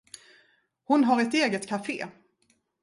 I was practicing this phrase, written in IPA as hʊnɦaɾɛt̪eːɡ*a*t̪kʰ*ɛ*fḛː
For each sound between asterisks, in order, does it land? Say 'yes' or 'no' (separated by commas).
no, no